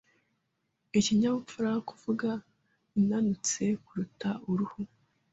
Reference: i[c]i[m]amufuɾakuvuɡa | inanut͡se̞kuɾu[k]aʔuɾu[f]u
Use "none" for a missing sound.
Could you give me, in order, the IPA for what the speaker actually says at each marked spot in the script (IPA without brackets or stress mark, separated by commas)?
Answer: c, ɲ, t, h